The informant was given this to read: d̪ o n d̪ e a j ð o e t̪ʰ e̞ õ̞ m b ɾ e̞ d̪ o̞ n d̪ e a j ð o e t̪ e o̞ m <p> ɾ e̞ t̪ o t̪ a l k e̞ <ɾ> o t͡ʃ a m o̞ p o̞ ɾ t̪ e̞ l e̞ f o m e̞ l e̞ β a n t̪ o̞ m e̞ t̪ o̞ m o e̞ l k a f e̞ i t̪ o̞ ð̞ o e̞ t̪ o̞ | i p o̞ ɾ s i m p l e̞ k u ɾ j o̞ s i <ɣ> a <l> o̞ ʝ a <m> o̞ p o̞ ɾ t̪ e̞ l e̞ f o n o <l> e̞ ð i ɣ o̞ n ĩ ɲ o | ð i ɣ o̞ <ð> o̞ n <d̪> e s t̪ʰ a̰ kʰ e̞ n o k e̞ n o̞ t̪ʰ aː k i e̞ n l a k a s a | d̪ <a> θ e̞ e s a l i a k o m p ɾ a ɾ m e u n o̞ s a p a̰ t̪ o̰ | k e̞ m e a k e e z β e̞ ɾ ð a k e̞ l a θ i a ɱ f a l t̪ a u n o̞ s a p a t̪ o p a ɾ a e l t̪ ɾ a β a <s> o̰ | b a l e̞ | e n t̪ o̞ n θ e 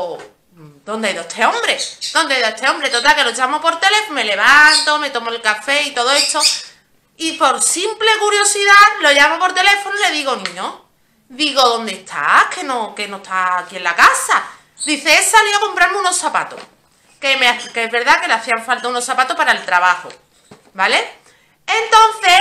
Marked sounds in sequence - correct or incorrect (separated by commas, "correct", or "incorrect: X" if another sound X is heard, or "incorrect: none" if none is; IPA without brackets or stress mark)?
incorrect: b, incorrect: l, incorrect: ð, correct, correct, correct, correct, correct, incorrect: i, incorrect: h